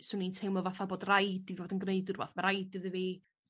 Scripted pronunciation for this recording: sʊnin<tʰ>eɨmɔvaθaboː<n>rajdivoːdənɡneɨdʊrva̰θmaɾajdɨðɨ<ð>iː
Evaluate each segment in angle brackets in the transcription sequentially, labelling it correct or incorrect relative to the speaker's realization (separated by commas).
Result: correct, incorrect, incorrect